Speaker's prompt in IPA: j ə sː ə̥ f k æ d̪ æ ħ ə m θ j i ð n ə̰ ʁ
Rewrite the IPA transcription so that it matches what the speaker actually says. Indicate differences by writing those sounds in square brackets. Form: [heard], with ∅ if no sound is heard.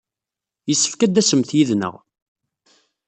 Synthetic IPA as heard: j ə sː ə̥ f k æ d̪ æ [s] ə m θ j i ð n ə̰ ʁ